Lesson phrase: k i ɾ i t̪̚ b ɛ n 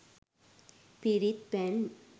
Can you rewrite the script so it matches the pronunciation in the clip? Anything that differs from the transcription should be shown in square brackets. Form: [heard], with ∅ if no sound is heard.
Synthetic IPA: [p] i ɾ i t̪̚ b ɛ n